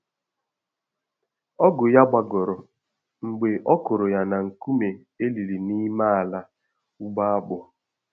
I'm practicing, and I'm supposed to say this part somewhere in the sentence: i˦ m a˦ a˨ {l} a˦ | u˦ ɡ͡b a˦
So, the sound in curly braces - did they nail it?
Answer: yes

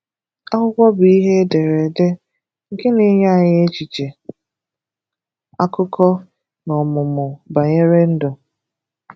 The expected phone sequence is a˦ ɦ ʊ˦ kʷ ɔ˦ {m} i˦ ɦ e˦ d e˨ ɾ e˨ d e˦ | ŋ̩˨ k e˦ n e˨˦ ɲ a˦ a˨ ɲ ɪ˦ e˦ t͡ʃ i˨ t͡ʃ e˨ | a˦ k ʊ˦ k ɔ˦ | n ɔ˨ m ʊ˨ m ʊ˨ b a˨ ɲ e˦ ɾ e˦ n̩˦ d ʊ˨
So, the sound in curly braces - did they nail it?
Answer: no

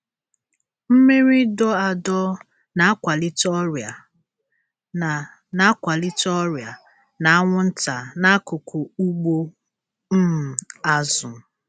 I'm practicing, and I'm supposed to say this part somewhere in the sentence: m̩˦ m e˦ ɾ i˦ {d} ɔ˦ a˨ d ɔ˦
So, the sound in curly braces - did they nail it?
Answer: yes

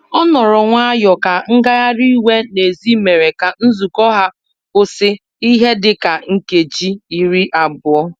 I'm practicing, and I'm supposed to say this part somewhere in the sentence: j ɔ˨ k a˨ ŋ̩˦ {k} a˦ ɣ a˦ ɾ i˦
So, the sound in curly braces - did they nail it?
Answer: no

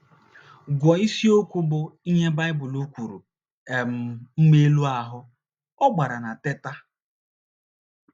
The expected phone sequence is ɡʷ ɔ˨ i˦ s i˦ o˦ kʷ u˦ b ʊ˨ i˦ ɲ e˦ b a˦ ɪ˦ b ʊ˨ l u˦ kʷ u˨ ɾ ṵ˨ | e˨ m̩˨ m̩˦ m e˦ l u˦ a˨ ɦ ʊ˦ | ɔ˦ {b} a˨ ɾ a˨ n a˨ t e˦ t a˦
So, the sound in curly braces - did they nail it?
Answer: no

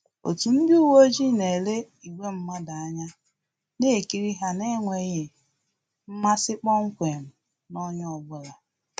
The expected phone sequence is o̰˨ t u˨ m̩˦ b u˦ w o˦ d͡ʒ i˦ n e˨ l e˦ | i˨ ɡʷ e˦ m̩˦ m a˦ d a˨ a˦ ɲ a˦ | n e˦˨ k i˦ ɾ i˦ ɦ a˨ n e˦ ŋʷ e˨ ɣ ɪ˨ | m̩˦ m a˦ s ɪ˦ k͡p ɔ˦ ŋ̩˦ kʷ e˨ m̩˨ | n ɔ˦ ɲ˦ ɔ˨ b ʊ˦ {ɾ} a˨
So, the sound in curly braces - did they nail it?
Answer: no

